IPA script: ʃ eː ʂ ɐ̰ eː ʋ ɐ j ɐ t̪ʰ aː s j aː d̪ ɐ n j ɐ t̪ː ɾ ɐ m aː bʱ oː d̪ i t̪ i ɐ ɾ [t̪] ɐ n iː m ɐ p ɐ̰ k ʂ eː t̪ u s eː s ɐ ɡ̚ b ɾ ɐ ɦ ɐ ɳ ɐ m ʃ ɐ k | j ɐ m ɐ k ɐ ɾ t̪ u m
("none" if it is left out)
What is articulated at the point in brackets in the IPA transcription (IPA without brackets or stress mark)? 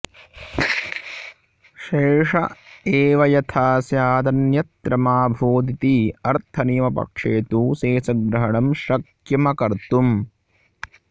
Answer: t̪ʰ